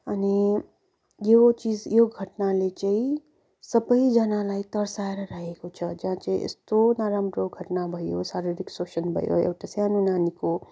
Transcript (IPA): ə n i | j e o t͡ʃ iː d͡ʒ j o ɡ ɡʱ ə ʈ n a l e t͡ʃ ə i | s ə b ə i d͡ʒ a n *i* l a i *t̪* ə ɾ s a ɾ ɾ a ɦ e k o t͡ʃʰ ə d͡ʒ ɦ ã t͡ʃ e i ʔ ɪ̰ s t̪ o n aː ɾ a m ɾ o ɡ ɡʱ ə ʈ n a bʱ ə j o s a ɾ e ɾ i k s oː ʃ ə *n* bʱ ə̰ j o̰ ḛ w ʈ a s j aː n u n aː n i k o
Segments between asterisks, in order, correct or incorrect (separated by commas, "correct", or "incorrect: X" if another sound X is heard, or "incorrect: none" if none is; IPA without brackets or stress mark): incorrect: a, correct, correct